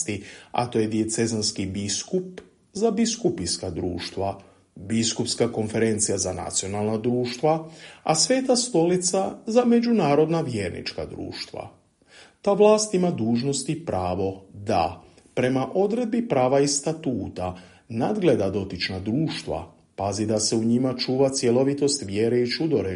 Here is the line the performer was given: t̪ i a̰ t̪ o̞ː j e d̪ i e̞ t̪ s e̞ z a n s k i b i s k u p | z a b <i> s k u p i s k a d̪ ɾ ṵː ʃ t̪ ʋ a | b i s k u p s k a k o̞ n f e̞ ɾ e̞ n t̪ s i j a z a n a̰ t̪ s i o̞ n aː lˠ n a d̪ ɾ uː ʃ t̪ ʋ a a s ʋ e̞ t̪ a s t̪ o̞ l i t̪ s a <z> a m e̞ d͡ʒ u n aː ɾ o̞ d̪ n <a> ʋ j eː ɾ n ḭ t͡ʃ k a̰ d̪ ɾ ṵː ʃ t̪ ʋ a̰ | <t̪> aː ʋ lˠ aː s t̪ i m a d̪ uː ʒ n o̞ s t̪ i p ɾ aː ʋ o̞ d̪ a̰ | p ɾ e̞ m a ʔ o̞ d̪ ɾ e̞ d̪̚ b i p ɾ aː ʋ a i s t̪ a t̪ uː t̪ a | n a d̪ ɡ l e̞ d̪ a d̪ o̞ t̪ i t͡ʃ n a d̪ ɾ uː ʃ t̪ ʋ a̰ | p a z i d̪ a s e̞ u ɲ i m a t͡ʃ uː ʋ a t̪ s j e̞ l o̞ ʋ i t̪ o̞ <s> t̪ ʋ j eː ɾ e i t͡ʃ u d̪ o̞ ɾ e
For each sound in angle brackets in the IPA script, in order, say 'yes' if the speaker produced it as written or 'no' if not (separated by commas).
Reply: yes, yes, yes, yes, yes